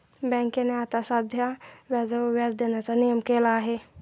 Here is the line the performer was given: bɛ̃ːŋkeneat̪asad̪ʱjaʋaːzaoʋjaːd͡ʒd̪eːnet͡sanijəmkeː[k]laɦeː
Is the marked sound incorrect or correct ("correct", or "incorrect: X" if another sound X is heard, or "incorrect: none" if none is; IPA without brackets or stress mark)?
incorrect: none